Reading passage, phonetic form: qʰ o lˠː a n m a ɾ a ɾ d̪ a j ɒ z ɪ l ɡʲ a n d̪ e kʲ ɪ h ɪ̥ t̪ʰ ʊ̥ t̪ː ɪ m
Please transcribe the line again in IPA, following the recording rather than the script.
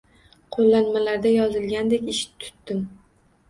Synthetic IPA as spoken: qʰ o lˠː a n m a l a ɾ d̪ a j ɒ z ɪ l ɡʲ a n d̪ e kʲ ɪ ʃ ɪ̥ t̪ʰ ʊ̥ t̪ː ɪ m